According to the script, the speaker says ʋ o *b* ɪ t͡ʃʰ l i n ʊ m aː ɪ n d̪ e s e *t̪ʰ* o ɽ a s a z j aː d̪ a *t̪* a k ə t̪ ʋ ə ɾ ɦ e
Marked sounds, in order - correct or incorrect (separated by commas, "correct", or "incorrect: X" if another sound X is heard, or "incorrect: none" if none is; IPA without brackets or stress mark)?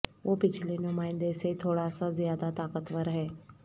incorrect: p, correct, correct